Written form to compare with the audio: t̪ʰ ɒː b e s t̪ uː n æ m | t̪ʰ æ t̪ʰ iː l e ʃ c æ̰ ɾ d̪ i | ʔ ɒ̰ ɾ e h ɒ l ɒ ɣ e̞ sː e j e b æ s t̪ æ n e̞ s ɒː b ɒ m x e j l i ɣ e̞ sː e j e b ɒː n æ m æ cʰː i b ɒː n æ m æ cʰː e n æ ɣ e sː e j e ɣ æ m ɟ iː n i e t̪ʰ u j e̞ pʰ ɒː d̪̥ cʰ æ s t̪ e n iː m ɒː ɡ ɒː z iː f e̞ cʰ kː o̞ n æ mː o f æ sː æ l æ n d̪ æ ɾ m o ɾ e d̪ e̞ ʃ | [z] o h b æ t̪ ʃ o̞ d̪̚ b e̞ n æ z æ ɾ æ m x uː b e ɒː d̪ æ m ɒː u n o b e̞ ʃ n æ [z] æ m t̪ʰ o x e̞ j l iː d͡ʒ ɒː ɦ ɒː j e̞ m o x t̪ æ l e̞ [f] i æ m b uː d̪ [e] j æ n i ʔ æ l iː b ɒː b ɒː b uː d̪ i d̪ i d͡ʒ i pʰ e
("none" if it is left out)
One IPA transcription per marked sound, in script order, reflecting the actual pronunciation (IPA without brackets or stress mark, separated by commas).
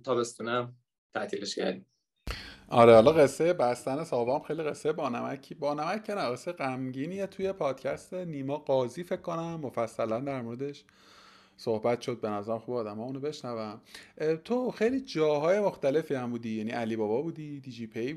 s, v, f, i